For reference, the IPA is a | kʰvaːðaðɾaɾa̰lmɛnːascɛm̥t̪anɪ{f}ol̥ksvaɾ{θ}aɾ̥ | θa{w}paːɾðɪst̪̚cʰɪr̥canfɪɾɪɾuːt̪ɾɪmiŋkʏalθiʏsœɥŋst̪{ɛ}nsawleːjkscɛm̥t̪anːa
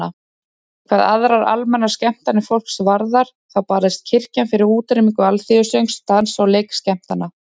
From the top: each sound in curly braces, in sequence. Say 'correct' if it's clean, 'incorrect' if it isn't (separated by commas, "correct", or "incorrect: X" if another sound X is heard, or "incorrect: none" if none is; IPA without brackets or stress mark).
correct, incorrect: ð, correct, incorrect: a